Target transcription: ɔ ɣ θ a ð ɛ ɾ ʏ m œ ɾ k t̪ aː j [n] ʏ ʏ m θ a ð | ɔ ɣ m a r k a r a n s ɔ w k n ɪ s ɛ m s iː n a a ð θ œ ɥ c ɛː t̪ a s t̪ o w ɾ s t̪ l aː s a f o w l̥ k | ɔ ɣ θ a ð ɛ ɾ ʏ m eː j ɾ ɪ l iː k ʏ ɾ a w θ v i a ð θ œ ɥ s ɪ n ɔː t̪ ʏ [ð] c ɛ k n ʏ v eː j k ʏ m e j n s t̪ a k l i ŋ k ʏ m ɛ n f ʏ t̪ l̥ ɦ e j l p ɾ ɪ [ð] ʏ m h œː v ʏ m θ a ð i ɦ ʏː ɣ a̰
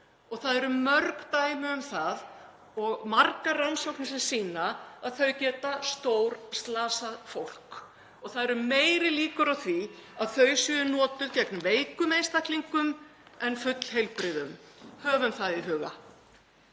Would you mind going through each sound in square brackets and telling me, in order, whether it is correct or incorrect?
incorrect, correct, correct

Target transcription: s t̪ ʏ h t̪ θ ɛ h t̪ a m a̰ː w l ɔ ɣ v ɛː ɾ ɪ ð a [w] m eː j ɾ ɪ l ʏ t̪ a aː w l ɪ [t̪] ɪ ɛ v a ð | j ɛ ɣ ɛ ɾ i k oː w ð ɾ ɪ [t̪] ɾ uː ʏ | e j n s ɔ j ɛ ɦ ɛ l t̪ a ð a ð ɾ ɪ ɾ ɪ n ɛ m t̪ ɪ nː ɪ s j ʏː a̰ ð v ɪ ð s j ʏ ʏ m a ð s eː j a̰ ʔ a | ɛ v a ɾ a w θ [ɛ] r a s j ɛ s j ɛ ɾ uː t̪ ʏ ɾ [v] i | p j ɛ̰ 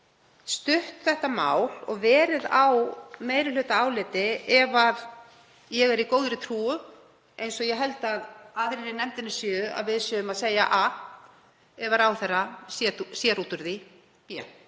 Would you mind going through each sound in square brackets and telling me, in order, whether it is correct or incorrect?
correct, correct, incorrect, correct, incorrect

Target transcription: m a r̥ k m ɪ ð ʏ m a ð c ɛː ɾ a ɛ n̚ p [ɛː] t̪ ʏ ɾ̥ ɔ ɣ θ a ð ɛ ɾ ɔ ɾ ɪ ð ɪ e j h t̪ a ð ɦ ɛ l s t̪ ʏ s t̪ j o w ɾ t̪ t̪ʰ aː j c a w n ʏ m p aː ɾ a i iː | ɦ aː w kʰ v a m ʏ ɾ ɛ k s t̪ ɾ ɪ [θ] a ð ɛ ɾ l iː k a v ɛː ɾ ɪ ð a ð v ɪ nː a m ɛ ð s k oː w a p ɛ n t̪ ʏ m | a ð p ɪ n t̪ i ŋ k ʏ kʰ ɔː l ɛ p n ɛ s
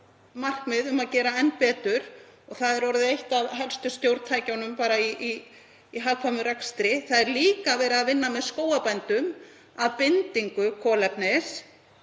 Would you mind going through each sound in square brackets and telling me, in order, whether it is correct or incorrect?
correct, correct

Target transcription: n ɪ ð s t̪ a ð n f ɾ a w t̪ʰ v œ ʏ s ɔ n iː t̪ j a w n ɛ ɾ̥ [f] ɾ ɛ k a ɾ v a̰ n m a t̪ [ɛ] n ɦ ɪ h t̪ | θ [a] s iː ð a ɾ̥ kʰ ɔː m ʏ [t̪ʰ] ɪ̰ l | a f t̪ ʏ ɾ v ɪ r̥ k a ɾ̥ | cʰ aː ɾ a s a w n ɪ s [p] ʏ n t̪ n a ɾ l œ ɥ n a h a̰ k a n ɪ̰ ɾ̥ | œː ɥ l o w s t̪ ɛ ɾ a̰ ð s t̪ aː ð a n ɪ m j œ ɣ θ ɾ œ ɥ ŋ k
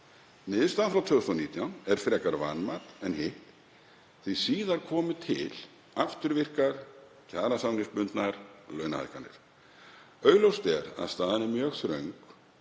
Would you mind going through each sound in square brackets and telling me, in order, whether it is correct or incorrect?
correct, correct, incorrect, correct, correct

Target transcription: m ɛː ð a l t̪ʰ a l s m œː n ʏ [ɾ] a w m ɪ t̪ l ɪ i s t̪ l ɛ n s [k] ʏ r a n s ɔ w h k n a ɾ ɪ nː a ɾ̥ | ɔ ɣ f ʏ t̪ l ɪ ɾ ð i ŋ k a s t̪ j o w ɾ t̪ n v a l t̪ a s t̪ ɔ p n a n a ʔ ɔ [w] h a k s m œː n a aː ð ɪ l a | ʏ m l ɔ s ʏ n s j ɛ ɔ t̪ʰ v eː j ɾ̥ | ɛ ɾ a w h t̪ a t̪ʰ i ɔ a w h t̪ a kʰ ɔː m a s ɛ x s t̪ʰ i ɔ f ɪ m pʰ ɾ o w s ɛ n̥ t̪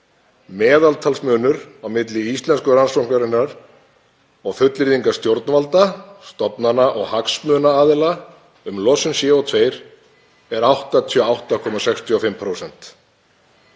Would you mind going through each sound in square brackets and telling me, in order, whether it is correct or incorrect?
correct, correct, incorrect

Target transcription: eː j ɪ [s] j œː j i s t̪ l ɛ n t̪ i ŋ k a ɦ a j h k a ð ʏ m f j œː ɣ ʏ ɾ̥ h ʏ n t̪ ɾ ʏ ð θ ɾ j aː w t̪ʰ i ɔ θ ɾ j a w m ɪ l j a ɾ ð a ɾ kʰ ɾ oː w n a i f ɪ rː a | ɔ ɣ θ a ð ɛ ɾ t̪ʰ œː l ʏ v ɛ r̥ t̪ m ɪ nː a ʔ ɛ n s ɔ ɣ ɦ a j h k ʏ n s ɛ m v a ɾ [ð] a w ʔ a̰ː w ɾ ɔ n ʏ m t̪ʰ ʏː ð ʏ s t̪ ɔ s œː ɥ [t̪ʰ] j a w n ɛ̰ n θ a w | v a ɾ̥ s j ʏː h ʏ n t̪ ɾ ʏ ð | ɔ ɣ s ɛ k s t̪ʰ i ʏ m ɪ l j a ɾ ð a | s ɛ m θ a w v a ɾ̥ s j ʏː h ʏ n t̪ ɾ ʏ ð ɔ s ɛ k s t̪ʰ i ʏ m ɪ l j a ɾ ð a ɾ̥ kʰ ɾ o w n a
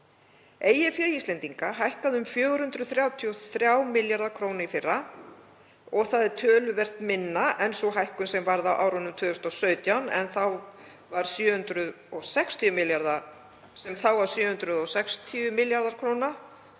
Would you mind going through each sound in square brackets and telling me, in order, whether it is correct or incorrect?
incorrect, correct, incorrect

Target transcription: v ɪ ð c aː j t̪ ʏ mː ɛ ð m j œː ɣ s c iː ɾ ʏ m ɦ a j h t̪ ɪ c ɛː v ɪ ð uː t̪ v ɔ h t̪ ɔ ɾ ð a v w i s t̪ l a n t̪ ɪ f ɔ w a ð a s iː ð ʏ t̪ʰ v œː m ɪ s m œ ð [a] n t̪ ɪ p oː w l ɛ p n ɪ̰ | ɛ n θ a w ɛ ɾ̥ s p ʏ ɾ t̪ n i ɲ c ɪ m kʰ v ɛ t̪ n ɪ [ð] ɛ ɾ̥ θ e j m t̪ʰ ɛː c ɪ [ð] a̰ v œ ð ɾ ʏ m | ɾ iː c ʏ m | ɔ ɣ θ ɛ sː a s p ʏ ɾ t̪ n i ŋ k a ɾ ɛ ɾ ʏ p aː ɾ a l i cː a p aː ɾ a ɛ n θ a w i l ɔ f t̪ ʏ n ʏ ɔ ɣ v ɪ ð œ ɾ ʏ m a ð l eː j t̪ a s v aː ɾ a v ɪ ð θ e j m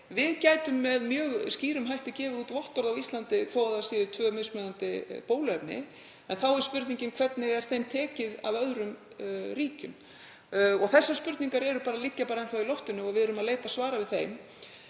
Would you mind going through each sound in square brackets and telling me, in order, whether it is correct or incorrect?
correct, incorrect, correct

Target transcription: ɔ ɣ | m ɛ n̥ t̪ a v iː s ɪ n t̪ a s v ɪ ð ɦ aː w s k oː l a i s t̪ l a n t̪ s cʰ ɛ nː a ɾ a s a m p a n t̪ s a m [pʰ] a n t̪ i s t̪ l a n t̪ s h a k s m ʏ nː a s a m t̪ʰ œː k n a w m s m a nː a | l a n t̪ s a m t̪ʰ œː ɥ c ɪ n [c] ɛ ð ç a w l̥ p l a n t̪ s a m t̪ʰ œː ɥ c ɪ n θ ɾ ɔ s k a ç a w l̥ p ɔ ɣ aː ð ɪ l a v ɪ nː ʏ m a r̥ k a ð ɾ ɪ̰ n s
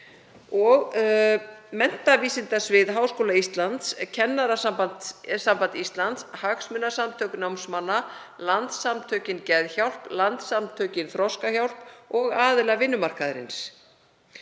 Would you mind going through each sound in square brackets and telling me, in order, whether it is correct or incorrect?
incorrect, correct

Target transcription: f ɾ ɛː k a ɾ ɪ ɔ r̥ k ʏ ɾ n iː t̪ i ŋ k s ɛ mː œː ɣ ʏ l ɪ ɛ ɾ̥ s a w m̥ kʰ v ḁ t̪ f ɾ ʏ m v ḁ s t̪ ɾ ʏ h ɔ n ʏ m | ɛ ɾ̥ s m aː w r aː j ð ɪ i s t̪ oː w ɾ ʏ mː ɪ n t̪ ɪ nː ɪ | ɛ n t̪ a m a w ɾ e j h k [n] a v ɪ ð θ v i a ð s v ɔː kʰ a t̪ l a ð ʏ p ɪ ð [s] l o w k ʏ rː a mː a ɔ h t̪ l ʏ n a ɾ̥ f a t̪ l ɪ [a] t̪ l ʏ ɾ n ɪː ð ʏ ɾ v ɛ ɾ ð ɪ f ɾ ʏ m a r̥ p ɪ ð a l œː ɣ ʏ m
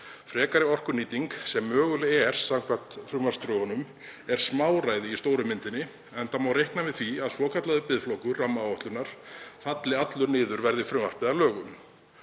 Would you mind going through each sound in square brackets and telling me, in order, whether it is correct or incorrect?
correct, incorrect, correct

